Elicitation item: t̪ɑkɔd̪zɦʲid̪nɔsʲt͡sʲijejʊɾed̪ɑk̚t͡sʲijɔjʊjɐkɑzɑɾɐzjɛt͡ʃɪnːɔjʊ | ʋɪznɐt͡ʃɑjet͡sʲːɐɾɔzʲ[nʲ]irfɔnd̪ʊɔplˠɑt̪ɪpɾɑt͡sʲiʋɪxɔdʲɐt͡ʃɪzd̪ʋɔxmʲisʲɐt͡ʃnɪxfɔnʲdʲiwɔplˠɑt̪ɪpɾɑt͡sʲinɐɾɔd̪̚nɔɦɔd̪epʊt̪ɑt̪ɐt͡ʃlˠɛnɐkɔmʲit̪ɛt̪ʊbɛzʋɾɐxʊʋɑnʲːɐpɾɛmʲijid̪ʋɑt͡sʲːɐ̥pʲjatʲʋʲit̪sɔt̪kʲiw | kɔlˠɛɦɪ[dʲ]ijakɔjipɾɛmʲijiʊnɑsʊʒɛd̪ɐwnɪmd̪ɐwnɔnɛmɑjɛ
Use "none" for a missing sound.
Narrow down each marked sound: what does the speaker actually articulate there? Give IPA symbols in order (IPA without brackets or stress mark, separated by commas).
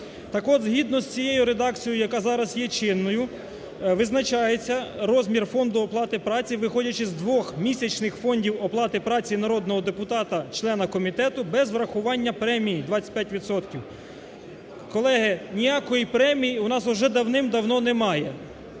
mʲ, nʲ